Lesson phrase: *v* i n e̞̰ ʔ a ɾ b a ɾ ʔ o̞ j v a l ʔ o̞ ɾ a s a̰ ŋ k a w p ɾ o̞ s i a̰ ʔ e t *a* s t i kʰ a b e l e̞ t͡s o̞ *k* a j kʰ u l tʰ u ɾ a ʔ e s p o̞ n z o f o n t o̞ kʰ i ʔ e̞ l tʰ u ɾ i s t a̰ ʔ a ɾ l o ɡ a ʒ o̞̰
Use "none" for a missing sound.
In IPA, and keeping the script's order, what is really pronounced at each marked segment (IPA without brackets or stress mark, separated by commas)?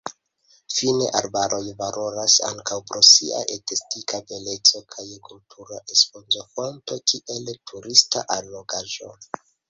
f, e, kʰ